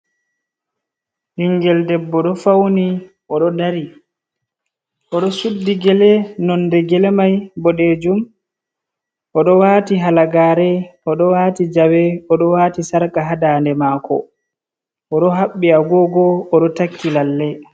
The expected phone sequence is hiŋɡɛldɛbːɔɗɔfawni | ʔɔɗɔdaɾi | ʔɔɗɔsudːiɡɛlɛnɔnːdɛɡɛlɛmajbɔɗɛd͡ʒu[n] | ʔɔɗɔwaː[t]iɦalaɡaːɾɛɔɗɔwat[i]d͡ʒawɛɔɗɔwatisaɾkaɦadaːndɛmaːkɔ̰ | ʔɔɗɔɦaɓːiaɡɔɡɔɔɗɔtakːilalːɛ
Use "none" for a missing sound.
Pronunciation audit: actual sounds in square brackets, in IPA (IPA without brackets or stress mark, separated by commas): m, t, i